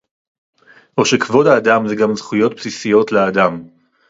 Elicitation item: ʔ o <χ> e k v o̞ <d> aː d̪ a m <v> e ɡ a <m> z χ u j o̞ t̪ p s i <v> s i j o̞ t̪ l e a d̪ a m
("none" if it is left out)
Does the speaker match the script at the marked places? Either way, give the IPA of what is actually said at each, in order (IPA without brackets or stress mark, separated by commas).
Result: ʃ, d, z, m, none